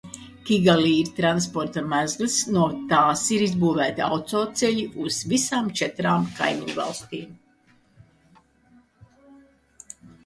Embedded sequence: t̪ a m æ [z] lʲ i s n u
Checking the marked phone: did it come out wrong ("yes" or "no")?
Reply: no